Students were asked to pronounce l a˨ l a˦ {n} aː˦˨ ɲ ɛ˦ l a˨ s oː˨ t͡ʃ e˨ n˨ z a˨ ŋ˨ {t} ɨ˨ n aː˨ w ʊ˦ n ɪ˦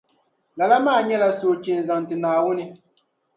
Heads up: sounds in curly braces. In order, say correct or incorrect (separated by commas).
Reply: incorrect, correct